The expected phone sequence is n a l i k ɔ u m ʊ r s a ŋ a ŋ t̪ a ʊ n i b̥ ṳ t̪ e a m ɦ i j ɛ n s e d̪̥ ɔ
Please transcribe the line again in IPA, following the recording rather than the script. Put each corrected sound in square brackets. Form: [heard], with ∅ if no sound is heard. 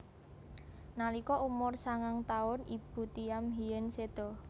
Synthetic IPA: n a l i k ɔ u m ʊ r s a ŋ a ŋ t̪ a ʊ n i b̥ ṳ t̪ [i] a m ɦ i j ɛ n s e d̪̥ ɔ